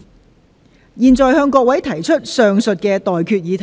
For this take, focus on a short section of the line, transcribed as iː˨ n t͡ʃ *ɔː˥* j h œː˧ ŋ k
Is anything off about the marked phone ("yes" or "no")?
yes